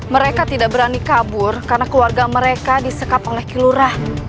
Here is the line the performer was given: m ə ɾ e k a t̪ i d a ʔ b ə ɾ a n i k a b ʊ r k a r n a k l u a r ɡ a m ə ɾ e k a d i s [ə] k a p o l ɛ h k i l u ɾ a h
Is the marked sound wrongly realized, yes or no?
no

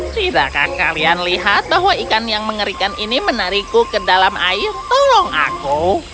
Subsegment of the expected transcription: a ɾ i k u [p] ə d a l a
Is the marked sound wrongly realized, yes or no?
yes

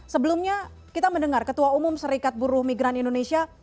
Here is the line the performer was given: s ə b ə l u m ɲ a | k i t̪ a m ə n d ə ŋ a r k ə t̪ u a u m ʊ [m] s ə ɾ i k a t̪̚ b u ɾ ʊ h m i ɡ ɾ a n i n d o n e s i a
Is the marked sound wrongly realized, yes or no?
no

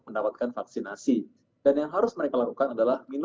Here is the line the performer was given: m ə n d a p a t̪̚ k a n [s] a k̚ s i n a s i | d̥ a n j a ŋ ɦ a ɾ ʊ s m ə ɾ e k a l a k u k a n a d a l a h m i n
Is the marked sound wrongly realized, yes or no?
yes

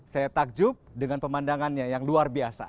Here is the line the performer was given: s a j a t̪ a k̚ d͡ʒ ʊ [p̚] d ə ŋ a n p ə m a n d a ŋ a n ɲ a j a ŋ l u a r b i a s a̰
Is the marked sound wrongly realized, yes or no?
no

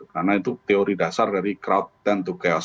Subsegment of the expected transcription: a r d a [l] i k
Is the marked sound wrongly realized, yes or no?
yes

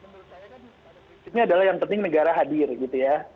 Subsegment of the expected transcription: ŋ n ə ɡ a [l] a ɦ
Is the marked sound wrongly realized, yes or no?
yes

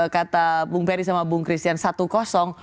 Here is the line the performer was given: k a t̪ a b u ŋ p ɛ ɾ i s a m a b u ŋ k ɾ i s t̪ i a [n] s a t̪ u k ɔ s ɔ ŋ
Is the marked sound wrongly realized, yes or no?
no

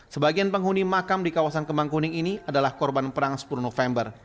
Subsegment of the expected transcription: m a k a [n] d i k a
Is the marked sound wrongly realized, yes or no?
yes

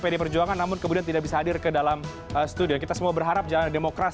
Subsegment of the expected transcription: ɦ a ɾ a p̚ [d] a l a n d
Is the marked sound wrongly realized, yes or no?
yes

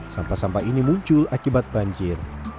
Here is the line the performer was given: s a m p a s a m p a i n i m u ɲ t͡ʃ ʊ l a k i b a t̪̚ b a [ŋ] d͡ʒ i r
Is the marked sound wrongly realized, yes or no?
yes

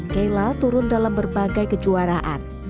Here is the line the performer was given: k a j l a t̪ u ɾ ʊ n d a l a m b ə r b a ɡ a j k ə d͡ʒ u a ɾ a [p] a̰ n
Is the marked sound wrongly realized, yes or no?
yes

